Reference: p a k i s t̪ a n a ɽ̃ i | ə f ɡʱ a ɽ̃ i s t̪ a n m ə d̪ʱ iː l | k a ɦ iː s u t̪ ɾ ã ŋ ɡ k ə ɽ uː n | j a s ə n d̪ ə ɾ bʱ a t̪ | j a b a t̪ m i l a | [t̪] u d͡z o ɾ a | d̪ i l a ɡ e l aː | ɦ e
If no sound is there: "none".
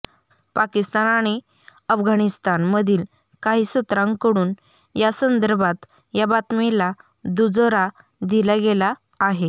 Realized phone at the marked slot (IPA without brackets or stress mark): d̪